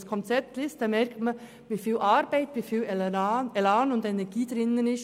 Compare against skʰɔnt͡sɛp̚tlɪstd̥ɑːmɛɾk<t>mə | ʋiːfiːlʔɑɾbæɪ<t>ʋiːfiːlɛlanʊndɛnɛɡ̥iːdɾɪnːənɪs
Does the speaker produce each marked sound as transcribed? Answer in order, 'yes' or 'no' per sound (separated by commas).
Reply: yes, yes